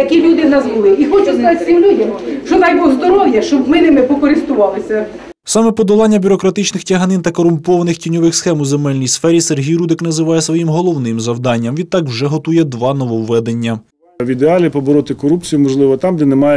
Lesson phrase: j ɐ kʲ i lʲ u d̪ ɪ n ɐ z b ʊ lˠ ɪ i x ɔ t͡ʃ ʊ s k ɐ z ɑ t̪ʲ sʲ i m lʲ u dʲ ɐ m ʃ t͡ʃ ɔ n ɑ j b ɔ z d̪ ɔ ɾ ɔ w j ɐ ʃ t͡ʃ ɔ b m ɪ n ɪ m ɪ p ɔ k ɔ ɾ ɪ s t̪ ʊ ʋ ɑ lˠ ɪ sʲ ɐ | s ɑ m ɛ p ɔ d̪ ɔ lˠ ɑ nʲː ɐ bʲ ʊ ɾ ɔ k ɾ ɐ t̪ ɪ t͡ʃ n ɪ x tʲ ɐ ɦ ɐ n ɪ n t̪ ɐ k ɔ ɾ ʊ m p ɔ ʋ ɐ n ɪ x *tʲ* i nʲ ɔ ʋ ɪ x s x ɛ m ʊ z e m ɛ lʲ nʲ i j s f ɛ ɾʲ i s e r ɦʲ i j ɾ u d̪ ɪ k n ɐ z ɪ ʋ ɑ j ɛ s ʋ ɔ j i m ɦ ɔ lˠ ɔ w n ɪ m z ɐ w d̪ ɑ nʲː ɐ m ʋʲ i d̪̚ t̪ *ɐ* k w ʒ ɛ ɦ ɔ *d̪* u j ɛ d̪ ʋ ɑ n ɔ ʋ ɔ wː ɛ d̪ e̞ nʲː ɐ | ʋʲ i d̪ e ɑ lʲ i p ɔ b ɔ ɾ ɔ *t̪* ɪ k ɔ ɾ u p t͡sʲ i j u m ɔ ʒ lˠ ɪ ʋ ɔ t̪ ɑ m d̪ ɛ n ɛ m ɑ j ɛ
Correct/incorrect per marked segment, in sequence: correct, incorrect: ɑ, incorrect: t̪, correct

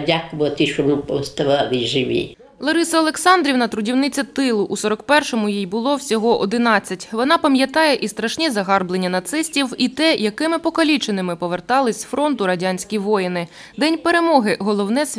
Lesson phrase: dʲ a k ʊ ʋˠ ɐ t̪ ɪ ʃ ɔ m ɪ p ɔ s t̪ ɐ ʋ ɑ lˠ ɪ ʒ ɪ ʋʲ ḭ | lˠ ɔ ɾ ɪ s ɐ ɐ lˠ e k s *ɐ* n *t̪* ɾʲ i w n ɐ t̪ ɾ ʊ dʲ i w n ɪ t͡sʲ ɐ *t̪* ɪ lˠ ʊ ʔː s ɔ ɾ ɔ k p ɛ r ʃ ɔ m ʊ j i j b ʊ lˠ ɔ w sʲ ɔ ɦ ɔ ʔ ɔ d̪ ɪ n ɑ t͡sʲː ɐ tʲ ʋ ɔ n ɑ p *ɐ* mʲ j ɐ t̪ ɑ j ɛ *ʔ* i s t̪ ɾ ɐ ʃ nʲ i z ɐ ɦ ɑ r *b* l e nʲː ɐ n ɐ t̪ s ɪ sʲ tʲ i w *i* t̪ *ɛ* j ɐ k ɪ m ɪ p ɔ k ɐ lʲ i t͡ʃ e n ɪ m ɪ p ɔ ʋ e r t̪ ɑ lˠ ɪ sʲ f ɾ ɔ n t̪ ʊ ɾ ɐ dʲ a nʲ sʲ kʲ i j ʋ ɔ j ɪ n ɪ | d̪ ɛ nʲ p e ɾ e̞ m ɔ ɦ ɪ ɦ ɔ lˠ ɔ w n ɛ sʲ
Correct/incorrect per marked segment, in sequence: incorrect: ɑ, incorrect: d̪, correct, correct, correct, correct, correct, correct

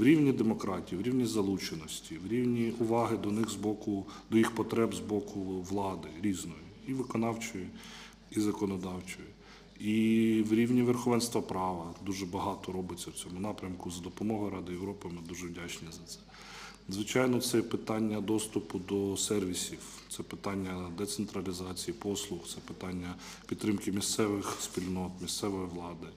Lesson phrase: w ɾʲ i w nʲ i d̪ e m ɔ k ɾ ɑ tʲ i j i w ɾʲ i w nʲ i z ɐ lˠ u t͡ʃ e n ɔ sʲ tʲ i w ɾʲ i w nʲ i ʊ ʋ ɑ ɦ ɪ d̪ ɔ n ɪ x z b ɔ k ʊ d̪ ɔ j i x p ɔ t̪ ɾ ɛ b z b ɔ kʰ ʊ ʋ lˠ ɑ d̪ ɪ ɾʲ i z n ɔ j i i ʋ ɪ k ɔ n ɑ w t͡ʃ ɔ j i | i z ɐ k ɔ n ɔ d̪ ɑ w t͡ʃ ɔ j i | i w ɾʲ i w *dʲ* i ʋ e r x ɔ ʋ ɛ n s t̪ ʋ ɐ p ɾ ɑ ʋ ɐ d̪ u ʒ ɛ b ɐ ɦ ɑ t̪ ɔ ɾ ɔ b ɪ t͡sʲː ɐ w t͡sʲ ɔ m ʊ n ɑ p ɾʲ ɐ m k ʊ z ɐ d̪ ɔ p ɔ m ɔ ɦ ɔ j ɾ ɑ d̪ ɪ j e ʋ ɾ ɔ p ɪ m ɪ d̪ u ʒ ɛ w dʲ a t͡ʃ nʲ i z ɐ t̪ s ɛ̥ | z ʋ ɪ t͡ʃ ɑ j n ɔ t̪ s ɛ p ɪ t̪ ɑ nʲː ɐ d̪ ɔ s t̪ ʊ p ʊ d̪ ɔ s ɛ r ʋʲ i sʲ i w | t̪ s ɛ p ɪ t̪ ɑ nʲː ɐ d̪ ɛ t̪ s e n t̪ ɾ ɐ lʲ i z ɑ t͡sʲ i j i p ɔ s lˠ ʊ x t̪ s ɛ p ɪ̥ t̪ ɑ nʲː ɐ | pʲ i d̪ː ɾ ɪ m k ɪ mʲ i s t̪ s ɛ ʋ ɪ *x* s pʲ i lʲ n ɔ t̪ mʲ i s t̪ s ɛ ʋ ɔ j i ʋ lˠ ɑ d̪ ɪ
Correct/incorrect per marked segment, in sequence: incorrect: nʲ, correct

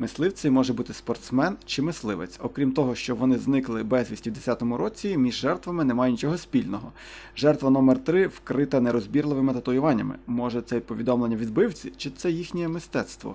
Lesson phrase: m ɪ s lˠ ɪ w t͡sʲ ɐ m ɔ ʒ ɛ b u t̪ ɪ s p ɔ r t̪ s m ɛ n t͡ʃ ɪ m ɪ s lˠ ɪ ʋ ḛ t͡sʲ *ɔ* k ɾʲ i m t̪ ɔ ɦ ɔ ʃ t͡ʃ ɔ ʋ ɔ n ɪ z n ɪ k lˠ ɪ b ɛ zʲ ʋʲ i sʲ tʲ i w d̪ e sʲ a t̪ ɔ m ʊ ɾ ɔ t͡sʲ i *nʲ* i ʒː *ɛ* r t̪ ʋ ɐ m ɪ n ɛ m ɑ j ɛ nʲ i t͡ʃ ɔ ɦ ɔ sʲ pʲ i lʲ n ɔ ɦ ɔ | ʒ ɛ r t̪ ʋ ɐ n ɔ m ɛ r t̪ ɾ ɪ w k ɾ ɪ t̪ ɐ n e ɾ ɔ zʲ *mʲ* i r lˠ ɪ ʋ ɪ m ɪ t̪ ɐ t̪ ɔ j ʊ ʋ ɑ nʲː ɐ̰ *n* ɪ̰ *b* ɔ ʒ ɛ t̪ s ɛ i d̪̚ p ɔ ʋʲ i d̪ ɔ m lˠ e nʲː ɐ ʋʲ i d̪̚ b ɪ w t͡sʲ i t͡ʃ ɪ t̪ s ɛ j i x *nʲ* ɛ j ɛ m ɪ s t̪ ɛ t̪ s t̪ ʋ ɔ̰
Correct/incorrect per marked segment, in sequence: correct, incorrect: mʲ, correct, incorrect: bʲ, incorrect: m, incorrect: m, correct

